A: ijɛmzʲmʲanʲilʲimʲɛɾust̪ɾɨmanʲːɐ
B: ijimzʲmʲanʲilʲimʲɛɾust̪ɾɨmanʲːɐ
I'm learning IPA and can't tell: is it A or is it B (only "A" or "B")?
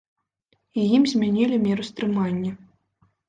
B